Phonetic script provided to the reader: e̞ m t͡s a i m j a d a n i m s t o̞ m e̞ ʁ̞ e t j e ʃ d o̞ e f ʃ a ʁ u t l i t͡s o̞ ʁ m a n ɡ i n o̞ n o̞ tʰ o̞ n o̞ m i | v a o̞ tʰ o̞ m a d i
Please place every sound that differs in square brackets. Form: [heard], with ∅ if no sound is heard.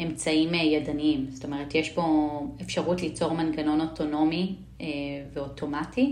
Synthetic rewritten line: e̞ m t͡s a i m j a d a n i m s t o̞ m e̞ ʁ̞ e t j e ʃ [b] o̞ e f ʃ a ʁ u t l i t͡s o̞ ʁ m a n ɡ [a] n o̞ n o̞ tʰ o̞ n o̞ m i | v [e] o̞ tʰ o̞ m a [t] i